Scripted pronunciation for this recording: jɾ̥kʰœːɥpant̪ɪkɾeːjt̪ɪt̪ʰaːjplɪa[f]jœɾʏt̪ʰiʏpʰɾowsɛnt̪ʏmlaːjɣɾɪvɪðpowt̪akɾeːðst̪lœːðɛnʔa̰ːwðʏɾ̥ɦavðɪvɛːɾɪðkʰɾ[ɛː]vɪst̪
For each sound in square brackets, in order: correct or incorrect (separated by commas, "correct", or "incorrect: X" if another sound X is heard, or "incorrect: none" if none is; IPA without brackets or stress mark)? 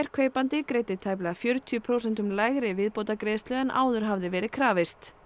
correct, incorrect: aː